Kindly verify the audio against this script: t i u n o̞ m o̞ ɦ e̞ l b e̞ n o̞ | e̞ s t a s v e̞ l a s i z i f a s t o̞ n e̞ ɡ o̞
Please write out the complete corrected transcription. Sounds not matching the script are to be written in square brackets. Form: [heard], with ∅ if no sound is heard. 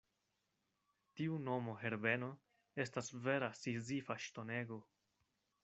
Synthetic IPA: t i u n o̞ m o̞ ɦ e̞ [ɾ] b e̞ n o̞ | e̞ s t a s v e̞ [ɾ] a s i z i f a [ʃ] t o̞ n e̞ ɡ o̞